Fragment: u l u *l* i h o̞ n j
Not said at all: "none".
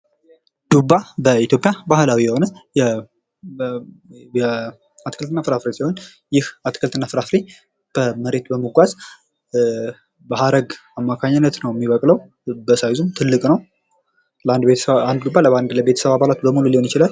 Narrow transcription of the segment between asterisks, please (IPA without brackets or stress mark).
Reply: l